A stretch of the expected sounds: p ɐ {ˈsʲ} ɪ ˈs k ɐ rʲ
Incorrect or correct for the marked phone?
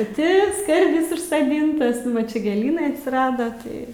incorrect: tʲ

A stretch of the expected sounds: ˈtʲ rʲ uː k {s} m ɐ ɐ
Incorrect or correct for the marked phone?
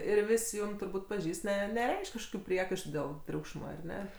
incorrect: ʃ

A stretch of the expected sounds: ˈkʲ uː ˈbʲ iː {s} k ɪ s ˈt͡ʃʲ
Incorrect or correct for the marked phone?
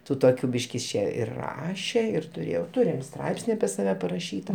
incorrect: ʃ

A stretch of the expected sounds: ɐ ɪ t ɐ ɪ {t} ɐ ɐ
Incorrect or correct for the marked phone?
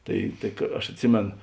incorrect: k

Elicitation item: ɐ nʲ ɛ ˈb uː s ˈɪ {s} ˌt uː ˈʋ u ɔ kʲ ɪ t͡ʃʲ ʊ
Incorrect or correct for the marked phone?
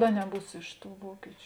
incorrect: ʃ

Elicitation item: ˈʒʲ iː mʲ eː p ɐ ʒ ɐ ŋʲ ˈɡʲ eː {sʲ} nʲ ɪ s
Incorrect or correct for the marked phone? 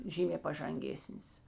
correct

